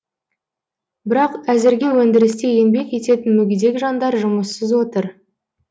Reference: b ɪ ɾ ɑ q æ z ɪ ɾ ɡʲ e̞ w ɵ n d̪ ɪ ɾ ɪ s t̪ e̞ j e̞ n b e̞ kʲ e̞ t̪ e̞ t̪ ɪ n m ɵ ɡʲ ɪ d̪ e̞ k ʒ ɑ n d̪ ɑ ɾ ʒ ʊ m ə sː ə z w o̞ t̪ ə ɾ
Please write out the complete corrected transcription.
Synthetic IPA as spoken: b ɪ ɾ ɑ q æ z ɪ ɾ ɡʲ e̞ w ɵ n d̪ ɪ ɾ ɪ s t̪ e̞ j e̞ n b e̞ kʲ e̞ t̪ e̞ t̪ ɪ n m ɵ ɡʲ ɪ d̪ e̞ k ʒ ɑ n d̪ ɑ ɾ ʒ ʊ m ə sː ə z w o̞ t̪ ə ɾ